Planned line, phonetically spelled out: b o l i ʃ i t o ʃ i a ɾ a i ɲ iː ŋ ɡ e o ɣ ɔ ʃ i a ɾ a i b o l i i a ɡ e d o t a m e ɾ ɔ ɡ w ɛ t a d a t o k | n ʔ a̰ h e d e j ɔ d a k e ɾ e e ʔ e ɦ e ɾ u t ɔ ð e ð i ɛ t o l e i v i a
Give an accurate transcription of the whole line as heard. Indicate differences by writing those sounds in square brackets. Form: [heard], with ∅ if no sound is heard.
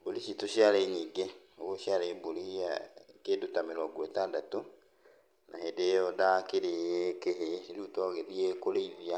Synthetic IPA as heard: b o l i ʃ i t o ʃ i a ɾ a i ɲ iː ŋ ɡ e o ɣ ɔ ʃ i a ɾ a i b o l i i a [k] e d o t a m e ɾ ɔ ɡ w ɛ t a d a t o [∅] | n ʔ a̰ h e d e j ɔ d a k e ɾ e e [k] e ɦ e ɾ u t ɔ [ɣ] e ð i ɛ [k] o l e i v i a